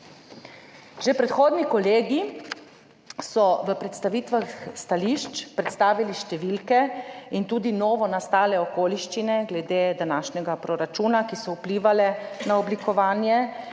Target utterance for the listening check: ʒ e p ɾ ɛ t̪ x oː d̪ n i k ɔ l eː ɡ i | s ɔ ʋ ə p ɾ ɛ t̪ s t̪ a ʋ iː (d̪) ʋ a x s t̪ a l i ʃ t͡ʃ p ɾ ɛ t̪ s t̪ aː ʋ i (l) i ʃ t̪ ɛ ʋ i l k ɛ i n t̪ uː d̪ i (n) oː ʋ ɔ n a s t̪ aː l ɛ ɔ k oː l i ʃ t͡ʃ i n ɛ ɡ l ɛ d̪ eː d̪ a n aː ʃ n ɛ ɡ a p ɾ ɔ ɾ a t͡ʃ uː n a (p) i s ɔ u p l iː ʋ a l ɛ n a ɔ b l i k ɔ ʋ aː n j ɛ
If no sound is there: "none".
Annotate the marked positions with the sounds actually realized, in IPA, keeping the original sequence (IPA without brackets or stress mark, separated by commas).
t̪, l, n, k